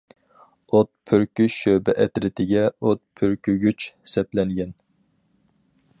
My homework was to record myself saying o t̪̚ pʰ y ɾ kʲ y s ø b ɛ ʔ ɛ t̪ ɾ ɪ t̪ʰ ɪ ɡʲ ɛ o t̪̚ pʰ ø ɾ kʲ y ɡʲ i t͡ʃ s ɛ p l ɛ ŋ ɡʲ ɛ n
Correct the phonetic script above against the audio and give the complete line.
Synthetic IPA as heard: o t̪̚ pʰ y ɾ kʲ y ʃ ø b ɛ ʔ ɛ t̪ ɾ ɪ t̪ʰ ɪ ɡʲ ɛ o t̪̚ pʰ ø ɾ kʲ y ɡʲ y t͡ʃ s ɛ p l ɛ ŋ ɡʲ ɛ n